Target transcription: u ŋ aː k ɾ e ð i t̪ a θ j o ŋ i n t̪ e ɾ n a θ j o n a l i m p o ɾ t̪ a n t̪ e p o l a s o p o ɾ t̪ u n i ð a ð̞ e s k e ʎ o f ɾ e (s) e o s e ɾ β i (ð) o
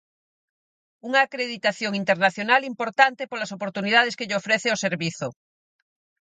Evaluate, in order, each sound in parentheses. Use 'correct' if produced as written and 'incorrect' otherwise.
incorrect: θ, incorrect: θ

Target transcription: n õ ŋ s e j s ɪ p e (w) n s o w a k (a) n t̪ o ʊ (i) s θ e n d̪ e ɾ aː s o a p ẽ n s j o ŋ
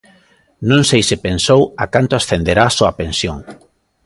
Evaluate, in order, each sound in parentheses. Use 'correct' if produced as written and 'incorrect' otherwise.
incorrect: none, correct, incorrect: a

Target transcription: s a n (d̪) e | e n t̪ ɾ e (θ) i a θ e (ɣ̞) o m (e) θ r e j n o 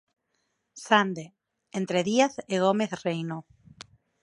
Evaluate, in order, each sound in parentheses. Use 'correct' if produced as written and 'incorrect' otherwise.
correct, incorrect: ð, correct, correct

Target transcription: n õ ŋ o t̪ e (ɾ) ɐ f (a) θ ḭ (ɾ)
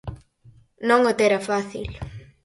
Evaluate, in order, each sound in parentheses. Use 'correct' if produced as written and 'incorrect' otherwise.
correct, correct, incorrect: l

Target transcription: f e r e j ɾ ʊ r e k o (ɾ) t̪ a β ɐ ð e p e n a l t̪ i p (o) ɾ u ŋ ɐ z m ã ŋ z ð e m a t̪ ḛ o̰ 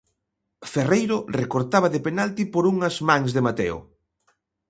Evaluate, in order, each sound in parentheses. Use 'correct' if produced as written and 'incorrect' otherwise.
correct, correct

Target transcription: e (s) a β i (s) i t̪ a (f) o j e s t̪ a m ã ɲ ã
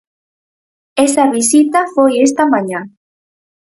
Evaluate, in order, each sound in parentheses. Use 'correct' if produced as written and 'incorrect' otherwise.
correct, correct, correct

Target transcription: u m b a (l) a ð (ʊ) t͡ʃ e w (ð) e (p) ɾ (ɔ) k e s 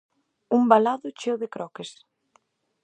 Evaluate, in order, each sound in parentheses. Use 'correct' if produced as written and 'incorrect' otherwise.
correct, correct, correct, incorrect: k, correct

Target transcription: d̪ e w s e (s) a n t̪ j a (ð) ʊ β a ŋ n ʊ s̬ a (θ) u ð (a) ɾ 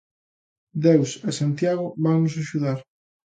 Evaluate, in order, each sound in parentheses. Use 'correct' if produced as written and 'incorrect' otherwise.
correct, incorrect: ɣ, incorrect: ʃ, correct

